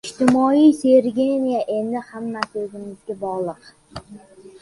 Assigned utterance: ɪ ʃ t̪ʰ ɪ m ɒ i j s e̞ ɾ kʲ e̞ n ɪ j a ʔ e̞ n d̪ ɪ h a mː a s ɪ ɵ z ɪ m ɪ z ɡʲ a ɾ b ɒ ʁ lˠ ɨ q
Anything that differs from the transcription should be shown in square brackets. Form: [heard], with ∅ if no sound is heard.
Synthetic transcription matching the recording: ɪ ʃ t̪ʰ ɪ m ɒ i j s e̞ ɾ [ɡʲ] e̞ n [i] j a ʔ e̞ n d̪ ɪ h a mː a s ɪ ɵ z ɪ m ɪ z ɡʲ a [∅] b ɒ ʁ lˠ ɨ q